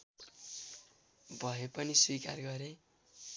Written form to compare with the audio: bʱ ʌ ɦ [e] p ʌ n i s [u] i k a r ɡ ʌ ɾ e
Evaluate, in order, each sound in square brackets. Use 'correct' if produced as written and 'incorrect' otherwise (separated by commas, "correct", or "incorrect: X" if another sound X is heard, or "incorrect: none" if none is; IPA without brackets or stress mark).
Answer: correct, incorrect: w